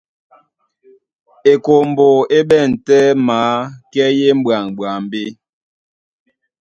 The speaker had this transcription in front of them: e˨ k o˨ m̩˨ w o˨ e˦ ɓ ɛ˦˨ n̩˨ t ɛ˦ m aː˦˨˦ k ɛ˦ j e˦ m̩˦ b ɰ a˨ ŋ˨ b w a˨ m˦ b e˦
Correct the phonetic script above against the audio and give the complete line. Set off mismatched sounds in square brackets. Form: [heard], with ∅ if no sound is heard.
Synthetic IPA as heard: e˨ k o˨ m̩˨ [b] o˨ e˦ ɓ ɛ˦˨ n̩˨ t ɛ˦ m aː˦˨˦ k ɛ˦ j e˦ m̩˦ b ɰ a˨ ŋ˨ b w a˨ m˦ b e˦